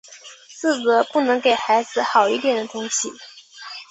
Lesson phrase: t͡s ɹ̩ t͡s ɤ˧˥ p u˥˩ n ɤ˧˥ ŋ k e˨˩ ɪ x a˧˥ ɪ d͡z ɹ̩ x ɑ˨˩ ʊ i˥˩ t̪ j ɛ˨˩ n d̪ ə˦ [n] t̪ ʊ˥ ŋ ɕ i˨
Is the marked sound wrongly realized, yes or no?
yes